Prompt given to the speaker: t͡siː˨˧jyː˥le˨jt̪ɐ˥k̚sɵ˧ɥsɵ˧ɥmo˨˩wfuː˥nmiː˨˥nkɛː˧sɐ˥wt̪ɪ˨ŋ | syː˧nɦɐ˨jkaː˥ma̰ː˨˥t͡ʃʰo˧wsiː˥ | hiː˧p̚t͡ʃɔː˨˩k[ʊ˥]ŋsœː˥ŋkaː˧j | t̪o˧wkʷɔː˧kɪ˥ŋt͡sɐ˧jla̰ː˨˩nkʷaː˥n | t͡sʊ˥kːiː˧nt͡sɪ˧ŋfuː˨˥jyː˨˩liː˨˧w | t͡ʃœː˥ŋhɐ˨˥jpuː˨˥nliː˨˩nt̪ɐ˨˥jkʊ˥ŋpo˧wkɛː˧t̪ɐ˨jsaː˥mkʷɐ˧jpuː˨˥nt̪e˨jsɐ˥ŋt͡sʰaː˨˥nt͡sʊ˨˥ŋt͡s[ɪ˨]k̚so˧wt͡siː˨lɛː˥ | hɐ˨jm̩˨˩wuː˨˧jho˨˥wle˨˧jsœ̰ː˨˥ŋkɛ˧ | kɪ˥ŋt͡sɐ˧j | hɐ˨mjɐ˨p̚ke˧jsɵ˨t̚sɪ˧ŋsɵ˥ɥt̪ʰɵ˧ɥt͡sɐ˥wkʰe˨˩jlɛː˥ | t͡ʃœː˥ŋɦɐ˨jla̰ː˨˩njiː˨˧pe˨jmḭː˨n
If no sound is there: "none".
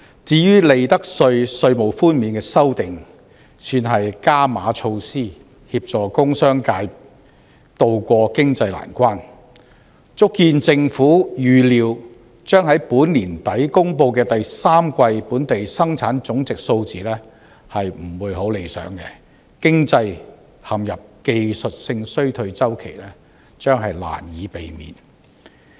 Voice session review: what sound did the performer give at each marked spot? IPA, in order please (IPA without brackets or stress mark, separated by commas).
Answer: ʊ˥, ɪ˨